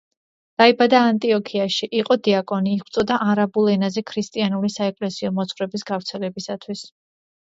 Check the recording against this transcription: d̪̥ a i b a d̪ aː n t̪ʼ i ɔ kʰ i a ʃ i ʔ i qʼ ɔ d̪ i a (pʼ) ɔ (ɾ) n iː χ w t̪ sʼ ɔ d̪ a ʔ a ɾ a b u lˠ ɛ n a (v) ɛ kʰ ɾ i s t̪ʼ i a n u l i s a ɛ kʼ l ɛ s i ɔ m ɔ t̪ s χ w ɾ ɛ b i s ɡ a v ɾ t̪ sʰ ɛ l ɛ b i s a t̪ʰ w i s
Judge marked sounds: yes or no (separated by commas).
no, no, no